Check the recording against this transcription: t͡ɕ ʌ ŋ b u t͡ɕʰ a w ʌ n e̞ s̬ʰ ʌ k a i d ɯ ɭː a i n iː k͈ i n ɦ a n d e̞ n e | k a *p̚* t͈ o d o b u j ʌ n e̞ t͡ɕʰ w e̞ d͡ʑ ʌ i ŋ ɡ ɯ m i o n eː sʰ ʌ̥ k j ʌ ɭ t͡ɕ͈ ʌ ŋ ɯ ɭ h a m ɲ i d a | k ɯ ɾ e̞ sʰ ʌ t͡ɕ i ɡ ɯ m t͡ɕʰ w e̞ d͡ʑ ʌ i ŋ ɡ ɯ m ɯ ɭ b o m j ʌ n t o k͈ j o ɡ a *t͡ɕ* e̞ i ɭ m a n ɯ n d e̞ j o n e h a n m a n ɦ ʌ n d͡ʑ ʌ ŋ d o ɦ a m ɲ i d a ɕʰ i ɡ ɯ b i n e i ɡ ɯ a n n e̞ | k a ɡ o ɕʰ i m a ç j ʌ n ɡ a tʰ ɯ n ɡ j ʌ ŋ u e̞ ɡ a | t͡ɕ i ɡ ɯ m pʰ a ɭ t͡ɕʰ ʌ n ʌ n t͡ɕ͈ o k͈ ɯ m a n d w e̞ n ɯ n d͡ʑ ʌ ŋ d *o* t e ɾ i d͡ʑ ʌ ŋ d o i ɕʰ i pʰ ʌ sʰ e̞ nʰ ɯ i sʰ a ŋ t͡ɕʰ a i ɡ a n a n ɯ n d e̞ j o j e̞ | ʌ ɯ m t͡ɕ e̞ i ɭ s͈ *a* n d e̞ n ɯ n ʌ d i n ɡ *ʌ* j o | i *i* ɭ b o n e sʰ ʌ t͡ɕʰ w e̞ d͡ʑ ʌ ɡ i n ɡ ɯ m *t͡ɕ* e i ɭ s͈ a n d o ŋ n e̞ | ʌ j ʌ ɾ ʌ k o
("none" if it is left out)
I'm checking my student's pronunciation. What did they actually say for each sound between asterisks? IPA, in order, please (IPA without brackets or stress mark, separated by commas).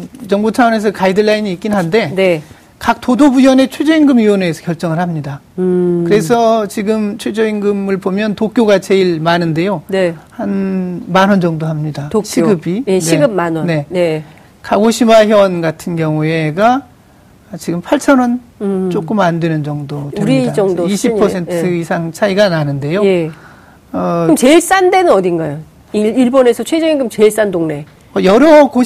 k̚, t͡ɕ, o, a, a, i, t͡ɕ